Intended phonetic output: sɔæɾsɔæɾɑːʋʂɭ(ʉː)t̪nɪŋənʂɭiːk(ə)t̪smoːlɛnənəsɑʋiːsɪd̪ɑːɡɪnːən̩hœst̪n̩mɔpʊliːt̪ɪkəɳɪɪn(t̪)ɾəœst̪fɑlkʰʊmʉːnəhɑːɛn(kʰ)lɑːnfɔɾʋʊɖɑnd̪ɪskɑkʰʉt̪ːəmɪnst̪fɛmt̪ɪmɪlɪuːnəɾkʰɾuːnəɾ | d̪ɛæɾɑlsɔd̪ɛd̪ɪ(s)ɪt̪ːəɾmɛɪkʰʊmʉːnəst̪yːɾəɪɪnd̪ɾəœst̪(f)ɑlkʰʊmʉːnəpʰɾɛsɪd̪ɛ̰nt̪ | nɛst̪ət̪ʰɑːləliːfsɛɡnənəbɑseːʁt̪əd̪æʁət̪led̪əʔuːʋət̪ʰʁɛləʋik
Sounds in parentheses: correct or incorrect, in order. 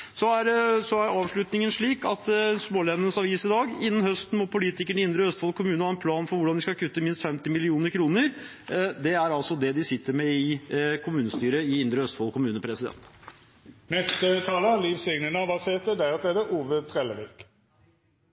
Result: incorrect, incorrect, incorrect, incorrect, correct, correct

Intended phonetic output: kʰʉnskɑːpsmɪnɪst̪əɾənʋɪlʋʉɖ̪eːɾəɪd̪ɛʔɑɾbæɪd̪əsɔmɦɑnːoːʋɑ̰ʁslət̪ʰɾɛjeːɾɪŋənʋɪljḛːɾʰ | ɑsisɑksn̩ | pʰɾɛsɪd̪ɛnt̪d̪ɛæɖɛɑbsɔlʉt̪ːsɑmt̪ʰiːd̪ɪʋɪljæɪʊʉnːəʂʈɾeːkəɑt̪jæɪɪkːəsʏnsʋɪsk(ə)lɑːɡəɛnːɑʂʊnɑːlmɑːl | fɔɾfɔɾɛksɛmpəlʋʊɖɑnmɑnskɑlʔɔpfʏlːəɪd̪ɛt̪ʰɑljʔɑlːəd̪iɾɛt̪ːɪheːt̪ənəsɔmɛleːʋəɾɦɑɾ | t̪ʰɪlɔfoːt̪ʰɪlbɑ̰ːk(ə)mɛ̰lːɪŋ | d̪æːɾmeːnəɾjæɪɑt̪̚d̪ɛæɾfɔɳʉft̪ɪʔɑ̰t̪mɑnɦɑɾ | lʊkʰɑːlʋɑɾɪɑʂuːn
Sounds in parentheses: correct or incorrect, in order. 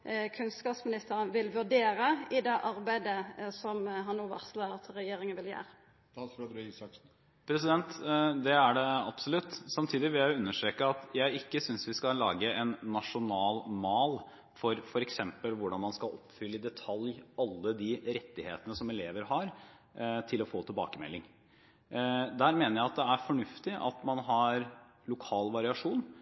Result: incorrect, correct

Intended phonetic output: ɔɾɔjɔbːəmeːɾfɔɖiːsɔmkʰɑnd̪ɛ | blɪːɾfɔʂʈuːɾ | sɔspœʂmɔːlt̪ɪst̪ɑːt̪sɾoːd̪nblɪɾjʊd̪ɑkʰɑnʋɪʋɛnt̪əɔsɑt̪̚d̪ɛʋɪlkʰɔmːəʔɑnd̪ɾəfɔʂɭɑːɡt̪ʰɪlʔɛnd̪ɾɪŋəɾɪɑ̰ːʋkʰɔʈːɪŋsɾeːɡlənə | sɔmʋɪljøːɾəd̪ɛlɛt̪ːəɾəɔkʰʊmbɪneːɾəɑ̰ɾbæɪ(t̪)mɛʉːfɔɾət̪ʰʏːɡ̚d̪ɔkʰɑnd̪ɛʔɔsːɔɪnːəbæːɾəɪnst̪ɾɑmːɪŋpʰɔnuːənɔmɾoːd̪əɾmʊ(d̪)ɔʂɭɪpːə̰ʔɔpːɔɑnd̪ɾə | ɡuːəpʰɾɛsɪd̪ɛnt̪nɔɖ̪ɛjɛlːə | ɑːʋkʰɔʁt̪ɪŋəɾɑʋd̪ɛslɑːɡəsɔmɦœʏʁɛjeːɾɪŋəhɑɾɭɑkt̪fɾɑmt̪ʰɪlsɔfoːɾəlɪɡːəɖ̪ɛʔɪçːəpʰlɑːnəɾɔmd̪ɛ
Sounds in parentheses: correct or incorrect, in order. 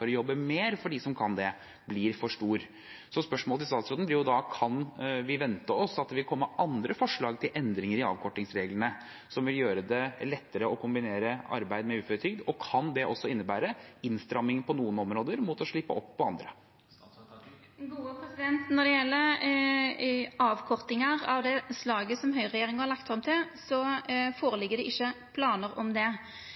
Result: incorrect, incorrect

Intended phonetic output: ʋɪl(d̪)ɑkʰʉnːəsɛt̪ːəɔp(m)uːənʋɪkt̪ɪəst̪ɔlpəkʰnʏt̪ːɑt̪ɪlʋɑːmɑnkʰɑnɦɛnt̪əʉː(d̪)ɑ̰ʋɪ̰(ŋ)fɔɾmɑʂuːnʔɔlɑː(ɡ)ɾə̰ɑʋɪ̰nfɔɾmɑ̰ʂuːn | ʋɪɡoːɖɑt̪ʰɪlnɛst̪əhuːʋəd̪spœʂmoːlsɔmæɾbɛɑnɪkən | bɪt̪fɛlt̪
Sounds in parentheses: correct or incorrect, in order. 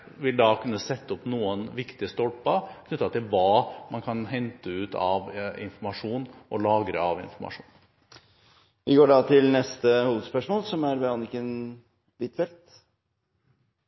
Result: correct, incorrect, incorrect, incorrect, correct

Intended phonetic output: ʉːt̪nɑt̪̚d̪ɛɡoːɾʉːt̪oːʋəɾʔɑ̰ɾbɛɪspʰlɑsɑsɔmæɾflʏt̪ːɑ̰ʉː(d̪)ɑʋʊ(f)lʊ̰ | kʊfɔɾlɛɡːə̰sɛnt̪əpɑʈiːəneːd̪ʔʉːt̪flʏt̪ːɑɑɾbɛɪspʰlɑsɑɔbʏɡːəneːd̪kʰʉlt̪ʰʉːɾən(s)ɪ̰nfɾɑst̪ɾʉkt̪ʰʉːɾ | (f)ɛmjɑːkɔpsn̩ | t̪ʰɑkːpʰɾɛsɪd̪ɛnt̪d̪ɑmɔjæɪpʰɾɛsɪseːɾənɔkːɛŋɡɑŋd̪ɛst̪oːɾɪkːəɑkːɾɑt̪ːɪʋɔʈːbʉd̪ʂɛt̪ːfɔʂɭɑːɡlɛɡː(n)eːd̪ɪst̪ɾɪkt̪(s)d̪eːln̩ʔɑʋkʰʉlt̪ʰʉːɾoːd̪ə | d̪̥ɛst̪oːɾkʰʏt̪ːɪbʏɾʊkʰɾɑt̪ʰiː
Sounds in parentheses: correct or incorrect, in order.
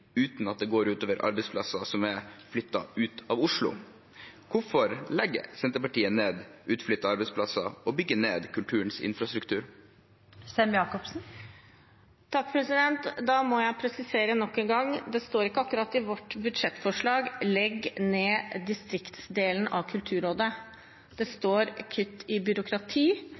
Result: incorrect, incorrect, correct, incorrect, correct, correct

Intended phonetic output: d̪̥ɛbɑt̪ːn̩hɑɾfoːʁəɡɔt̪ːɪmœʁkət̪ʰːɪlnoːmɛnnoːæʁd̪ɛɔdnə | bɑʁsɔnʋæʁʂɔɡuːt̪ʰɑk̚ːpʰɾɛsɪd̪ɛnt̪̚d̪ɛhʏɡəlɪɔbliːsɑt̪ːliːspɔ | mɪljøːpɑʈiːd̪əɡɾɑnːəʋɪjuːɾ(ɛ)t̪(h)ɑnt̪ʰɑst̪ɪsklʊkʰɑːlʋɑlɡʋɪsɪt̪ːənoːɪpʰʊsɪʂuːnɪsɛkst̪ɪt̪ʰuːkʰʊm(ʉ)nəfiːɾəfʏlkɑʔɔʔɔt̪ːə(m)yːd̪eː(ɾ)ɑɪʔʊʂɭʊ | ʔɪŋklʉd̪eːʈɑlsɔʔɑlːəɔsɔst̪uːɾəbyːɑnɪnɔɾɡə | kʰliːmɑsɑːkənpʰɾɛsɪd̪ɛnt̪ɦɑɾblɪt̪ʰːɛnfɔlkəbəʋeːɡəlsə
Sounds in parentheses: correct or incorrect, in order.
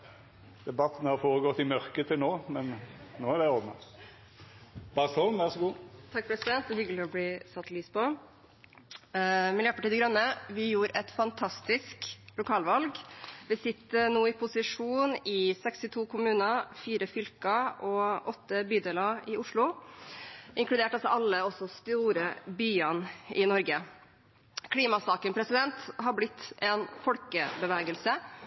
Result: correct, incorrect, incorrect, incorrect, incorrect

